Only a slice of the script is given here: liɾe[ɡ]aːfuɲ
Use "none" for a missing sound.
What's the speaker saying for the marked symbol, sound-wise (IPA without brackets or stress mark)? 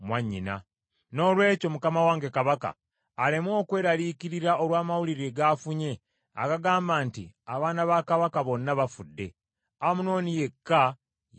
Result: ɡ